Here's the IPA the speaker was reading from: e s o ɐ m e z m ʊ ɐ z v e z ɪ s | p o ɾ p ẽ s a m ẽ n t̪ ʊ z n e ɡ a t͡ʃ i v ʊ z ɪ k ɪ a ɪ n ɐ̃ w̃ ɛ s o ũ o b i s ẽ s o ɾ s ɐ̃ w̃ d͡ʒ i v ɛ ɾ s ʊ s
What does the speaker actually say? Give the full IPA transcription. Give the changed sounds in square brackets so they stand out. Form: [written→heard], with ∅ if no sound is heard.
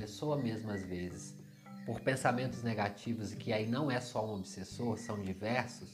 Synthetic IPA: e s o ɐ m e z m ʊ ɐ z v e z ɪ s | p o ɾ p ẽ s a m ẽ n t̪ ʊ z n e ɡ a t͡ʃ i v ʊ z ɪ k ɪ a [ɪ→i] n ɐ̃ w̃ ɛ s [o→ɔ] ũ o b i s [ẽ→e] s o ɾ s ɐ̃ w̃ d͡ʒ i v ɛ ɾ s ʊ s